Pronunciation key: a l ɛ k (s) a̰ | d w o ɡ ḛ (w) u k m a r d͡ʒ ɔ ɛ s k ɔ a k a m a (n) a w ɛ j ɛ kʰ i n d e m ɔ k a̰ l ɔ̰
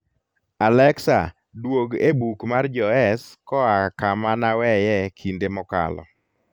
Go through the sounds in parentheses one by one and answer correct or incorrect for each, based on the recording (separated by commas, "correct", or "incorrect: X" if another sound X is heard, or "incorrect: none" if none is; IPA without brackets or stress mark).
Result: correct, incorrect: b, correct